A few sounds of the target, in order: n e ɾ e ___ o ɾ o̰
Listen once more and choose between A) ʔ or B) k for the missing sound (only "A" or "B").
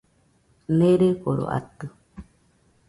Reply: B